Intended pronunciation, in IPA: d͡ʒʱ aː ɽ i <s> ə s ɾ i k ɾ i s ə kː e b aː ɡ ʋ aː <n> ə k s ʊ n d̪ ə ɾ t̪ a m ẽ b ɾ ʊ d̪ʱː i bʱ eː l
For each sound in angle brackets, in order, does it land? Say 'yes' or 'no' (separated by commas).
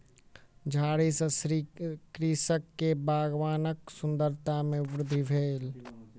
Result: yes, yes